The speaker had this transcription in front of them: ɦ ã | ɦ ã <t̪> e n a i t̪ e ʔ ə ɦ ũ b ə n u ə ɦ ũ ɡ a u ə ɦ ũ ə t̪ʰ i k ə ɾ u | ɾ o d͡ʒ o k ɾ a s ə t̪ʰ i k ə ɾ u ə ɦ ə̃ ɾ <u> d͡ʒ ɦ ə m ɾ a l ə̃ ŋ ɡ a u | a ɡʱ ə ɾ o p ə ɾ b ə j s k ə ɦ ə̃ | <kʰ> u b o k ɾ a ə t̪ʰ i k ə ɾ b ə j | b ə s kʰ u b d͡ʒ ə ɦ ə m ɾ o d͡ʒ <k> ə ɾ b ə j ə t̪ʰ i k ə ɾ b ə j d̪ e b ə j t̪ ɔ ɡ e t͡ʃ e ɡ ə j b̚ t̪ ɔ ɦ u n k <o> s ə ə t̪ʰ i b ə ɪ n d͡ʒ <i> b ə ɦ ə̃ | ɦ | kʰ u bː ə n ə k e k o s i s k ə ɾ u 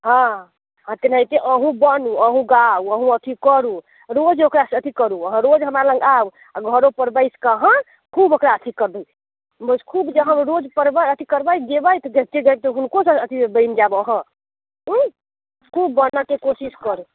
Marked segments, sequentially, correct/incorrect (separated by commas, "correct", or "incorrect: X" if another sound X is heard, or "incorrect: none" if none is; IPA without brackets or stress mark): correct, incorrect: o, correct, incorrect: p, correct, incorrect: a